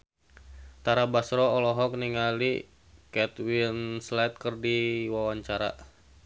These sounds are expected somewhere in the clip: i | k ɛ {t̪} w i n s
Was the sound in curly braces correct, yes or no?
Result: yes